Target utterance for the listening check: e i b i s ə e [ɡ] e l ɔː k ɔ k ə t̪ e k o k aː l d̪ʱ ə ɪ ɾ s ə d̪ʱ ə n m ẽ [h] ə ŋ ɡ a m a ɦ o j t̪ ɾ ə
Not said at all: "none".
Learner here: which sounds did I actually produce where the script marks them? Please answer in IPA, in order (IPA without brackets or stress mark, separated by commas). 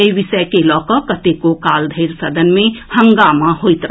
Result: k, h